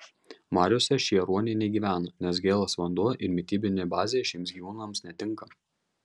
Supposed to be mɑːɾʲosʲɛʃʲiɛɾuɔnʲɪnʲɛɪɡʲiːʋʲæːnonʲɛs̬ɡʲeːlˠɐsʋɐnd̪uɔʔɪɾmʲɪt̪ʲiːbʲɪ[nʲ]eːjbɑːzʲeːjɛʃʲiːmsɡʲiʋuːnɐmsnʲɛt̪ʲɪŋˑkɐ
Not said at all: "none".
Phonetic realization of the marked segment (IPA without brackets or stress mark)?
nʲ